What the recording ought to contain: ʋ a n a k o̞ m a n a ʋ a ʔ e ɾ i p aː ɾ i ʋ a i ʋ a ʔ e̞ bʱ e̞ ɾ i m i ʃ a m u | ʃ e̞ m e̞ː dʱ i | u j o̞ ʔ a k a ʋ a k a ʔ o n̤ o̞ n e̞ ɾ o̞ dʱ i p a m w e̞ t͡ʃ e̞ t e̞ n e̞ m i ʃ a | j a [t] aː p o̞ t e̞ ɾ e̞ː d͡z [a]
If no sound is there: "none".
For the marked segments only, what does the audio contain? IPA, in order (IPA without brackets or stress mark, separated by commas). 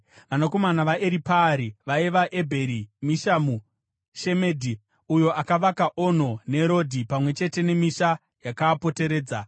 k, a